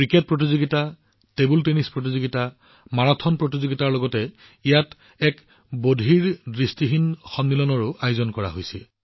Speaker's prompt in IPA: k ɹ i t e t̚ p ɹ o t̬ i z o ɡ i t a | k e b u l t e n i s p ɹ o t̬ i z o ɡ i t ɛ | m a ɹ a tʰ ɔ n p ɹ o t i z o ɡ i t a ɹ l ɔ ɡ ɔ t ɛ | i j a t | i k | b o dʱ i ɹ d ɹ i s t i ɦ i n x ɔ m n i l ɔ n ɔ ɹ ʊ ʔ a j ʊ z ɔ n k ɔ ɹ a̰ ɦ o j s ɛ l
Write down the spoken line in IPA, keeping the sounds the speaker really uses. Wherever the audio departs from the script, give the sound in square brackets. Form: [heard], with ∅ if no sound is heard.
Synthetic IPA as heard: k ɹ i [k] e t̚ p ɹ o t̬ i z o ɡ i t a | [t] e b u l t e n i s p ɹ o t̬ i z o ɡ i t [a] | m a ɹ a tʰ ɔ n p ɹ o t i z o ɡ i t a ɹ l ɔ ɡ ɔ t ɛ | i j a t | [ɛ] k | b o dʱ i ɹ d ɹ i s t i ɦ i n x ɔ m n i l ɔ n ɔ ɹ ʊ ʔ a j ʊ z ɔ n k ɔ ɹ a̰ ɦ o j s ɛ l